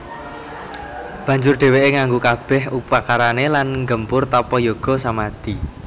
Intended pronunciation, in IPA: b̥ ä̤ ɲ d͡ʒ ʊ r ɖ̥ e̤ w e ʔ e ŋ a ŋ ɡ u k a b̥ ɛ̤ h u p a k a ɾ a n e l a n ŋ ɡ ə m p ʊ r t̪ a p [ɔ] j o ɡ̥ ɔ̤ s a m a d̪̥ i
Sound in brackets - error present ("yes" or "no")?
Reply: no